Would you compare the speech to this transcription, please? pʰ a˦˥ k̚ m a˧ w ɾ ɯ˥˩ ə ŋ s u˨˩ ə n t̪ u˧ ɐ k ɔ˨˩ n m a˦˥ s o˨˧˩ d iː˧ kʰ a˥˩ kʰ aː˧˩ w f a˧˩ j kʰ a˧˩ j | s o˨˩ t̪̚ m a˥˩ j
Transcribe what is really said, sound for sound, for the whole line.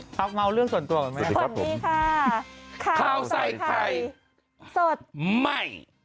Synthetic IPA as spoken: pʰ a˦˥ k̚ m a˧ w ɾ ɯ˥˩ ə ŋ s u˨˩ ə n t̪ u˧ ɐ k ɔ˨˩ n m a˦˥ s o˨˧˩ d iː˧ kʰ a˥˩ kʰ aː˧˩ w s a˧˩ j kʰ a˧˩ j | s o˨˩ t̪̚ m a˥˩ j

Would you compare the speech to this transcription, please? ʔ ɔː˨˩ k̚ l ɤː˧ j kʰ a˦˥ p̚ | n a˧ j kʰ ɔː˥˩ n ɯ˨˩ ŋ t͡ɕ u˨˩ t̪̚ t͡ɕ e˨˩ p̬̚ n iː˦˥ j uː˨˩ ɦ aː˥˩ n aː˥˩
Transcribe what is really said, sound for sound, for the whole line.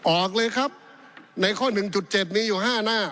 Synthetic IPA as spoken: ʔ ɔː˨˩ k̚ l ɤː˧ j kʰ a˦˥ p̚ | n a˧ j kʰ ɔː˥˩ n ɯ˨˩ ŋ t͡ɕ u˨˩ t̪̚ t͡ɕ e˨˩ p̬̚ n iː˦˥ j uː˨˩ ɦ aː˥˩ n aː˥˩

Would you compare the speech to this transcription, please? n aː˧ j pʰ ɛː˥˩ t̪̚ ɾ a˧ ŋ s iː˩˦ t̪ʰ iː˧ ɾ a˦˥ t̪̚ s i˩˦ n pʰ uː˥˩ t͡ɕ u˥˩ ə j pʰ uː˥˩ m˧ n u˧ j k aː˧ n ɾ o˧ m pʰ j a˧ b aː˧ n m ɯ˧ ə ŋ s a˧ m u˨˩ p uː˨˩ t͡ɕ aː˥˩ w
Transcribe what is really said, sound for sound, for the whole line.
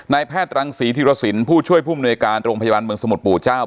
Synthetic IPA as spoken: n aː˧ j pʰ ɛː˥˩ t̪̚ ɾ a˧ ŋ s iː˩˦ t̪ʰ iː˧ ɾ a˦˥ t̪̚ s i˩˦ n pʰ uː˥˩ t͡ɕʰ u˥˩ ə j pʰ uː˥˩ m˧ n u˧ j k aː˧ n ɾ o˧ ŋ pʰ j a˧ b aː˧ n m ɯ˧ ə ŋ s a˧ m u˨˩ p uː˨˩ t͡ɕ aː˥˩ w

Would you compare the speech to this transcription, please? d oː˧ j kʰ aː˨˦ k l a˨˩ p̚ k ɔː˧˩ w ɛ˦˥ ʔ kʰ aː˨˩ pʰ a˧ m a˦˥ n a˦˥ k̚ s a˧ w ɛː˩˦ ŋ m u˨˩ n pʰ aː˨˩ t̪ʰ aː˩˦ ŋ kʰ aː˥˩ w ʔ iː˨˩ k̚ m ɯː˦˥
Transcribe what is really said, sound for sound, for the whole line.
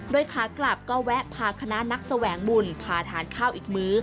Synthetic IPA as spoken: d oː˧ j kʰ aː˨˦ k l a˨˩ p̚ k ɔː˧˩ w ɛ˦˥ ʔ pʰ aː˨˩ kʰ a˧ n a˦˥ n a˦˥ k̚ s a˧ w ɛː˩˦ ŋ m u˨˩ n pʰ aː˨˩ t̪ʰ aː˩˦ n kʰ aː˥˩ w ʔ iː˨˩ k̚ m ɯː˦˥

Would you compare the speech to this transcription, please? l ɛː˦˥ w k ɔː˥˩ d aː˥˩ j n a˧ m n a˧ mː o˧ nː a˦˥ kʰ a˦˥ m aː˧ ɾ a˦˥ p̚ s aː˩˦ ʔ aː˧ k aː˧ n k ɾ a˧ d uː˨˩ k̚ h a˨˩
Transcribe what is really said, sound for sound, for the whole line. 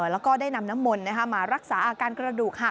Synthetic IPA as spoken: l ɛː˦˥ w k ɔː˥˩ d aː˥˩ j n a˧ m n a˦˥ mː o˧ nː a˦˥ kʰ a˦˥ m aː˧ ɾ a˦˥ k̚ s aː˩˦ ʔ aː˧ k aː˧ n k ɾ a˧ d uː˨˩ k̚ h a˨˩

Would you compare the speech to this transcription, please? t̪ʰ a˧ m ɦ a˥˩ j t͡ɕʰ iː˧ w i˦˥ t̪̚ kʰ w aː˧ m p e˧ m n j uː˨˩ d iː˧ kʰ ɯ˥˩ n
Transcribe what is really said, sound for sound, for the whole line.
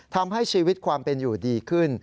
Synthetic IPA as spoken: t̪ʰ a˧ m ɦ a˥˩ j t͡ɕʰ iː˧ w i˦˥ t̪̚ kʰ w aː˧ m p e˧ n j uː˨˩ d iː˧ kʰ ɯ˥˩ n

